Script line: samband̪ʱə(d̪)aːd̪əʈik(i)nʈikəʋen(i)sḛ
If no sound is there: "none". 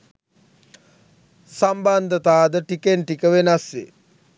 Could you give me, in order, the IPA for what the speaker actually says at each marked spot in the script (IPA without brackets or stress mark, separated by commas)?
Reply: t̪, e, a